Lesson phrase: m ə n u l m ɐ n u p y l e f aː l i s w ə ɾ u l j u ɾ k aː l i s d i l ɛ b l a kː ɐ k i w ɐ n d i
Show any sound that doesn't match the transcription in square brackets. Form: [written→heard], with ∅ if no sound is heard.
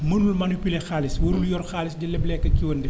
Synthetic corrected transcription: m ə n u l m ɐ n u p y l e [f→x] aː l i s w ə ɾ u l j [u→ɔ] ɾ [k→x] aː l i s d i l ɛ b l [a→ɛ] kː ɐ k i w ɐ n d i